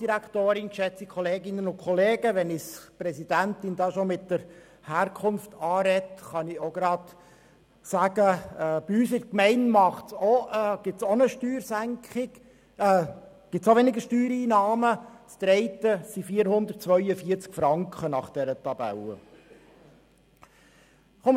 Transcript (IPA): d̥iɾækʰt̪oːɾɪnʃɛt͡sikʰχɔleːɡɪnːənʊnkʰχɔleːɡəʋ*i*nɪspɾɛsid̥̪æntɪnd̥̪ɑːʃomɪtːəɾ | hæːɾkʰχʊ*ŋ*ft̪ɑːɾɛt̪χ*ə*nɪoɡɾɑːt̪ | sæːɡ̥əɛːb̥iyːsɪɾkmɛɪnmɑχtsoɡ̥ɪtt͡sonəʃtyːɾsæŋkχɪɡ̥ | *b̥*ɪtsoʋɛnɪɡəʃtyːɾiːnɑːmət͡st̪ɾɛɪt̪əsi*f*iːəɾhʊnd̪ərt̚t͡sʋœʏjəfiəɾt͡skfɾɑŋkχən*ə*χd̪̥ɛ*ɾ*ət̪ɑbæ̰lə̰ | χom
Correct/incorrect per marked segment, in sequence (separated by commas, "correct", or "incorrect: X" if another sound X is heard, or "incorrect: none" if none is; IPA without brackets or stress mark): incorrect: ɛ, incorrect: n, incorrect: ɑ, incorrect: ɡ̥, correct, incorrect: ɑ, correct